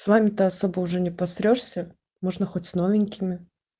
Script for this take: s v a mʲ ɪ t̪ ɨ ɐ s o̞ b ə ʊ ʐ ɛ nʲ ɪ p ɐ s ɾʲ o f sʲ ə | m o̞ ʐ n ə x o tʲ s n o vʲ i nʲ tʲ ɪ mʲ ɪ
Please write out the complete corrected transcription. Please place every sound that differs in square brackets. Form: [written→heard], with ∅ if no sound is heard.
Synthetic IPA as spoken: s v a mʲ ɪ t̪ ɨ ɐ s o̞ b ə ʊ ʐ ɛ nʲ ɪ p ɐ s ɾʲ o [f→ʂ] sʲ ə | m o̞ ʐ n ə x o tʲ s n o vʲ [i→ɪ] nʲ [tʲ→kʲ] ɪ mʲ ɪ